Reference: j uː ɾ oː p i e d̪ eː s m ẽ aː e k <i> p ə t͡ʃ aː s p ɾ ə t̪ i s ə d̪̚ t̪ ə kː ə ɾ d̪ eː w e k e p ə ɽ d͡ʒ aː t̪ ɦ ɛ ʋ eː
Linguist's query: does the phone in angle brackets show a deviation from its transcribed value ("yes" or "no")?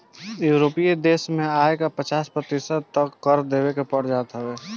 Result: yes